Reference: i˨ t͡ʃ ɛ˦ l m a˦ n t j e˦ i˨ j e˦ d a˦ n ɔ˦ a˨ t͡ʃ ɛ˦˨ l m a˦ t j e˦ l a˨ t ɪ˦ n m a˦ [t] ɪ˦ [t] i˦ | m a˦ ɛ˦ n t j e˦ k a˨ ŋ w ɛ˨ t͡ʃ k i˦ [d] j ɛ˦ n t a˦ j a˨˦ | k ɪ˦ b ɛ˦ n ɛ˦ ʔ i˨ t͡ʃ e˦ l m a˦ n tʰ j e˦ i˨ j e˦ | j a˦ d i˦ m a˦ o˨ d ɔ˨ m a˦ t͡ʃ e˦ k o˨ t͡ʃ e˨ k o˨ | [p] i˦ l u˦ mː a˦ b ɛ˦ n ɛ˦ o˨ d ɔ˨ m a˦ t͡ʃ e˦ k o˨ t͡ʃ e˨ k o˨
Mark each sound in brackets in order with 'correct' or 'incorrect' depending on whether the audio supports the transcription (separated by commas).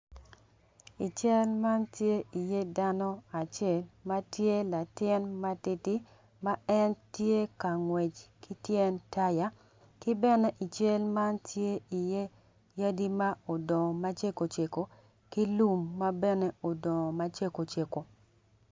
correct, correct, incorrect, incorrect